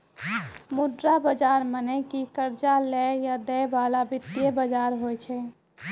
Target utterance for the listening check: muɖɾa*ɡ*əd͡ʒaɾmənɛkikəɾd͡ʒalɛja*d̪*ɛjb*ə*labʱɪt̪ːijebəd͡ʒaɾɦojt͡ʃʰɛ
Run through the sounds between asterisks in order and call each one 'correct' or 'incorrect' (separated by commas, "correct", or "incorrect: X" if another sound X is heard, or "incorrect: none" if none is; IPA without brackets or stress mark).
incorrect: b, correct, incorrect: a